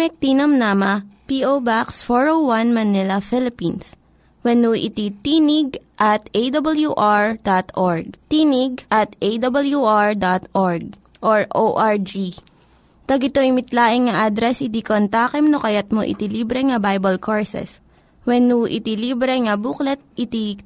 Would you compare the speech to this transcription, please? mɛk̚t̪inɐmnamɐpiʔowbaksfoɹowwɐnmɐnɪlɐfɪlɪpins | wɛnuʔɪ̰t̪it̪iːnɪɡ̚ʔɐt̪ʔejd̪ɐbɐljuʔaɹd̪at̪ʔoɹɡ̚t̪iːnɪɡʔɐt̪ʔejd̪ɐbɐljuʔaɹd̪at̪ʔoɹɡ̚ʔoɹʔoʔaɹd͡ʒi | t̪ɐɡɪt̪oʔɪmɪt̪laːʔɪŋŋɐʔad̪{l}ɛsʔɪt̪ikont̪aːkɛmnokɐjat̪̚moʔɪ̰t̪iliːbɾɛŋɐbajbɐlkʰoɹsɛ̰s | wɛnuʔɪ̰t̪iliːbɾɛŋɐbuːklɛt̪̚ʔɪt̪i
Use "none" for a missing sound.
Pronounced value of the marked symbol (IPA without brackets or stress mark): ɾ